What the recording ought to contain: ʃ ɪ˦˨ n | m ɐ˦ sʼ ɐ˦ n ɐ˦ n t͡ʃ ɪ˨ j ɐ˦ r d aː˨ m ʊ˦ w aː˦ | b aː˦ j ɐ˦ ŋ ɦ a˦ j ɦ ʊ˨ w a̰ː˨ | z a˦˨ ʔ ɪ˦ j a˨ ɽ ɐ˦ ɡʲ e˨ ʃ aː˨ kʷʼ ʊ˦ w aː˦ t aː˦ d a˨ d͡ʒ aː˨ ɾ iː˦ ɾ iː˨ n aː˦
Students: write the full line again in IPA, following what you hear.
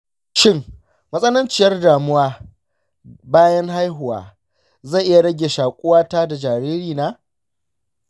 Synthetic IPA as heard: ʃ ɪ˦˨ ŋ | m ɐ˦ sʼ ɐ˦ n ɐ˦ n t͡ʃ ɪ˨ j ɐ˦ r d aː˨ m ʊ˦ w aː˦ | b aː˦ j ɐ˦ ŋ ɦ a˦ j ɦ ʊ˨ w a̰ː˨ | z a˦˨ ʔ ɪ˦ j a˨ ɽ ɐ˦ ɡʲ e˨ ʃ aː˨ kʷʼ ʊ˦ w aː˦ t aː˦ d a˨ d͡ʒ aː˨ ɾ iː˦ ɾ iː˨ n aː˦